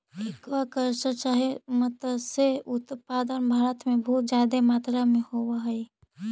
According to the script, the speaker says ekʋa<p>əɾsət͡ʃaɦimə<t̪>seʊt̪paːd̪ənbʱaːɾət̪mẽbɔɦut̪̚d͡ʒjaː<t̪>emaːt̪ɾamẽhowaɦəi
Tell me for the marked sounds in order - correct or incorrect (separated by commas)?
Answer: incorrect, correct, incorrect